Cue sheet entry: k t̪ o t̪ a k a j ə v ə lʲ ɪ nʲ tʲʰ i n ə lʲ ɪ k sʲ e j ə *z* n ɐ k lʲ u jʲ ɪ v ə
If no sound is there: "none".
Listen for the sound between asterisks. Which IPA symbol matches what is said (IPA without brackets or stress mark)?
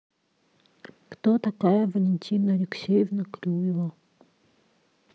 v